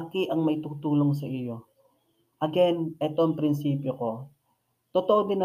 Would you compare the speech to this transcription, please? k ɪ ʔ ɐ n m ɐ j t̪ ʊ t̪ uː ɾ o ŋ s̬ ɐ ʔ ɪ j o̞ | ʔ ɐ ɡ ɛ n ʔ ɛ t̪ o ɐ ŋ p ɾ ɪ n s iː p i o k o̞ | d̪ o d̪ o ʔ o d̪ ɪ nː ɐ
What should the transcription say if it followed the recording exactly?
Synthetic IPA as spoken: k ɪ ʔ ɐ ŋ m ɐ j t̪ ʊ t̪ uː l o ŋ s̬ ɐ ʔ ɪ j o̞ | ʔ ɐ ɡ ɛ n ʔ ɛ t̪ o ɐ ŋ p ɾ ɪ n s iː p j o k o̞ | t̪ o t̪ o ʔ o d̪ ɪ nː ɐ